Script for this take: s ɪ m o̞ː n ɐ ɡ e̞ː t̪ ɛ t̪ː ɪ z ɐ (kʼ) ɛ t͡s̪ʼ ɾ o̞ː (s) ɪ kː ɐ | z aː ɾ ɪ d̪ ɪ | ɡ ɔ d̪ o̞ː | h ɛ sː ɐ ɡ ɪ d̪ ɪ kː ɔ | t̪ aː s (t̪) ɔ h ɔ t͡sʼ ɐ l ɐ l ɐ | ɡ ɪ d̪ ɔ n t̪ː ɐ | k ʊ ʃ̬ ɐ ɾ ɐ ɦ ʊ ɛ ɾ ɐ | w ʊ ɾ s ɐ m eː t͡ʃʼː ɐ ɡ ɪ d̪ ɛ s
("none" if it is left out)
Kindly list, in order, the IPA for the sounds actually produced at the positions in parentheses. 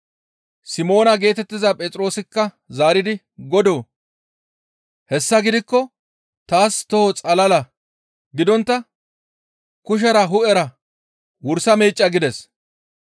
pʼ, s, t̪

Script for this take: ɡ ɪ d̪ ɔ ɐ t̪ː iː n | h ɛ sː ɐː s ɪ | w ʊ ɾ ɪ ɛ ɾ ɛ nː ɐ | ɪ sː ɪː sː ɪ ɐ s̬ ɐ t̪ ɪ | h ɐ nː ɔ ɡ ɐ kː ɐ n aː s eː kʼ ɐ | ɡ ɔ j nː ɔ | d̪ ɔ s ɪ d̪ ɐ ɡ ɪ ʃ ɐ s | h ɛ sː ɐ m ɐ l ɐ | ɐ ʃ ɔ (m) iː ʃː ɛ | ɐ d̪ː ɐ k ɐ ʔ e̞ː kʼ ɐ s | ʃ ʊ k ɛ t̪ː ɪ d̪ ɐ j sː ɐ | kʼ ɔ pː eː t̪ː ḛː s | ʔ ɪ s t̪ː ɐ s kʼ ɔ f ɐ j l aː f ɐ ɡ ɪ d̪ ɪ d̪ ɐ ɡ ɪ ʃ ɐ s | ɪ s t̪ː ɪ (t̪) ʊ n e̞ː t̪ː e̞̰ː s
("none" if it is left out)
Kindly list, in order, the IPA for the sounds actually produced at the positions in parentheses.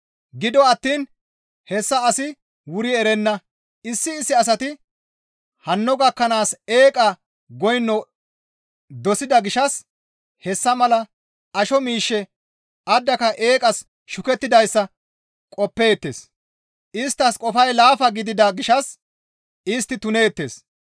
m, t̪

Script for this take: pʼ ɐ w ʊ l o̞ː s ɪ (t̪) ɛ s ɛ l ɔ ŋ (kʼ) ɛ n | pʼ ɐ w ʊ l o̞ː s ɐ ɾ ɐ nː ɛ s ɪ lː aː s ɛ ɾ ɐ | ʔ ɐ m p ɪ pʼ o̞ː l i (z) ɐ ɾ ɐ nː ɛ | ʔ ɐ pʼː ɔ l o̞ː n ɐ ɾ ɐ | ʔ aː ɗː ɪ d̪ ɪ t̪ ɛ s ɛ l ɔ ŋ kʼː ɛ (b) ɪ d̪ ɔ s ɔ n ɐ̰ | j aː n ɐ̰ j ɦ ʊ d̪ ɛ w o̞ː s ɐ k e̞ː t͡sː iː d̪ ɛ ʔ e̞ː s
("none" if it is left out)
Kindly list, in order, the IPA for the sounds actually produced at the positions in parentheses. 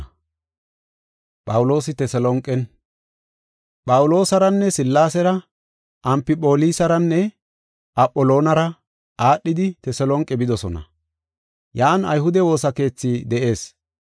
t̪, kʼ, s, b

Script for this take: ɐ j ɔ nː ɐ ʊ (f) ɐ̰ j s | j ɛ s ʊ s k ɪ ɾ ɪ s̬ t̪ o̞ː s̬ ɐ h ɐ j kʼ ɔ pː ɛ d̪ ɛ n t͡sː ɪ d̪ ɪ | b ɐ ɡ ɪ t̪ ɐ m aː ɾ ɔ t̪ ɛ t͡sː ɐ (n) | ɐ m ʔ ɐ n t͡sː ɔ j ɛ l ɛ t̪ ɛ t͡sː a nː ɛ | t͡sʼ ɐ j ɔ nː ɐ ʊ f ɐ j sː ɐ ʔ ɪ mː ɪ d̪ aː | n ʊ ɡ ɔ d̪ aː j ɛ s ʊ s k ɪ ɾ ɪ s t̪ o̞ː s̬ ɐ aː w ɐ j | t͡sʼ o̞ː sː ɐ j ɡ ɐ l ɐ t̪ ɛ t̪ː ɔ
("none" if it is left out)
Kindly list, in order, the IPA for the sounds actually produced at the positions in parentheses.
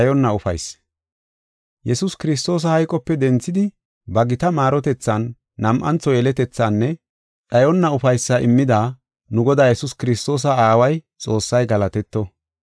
f, nː

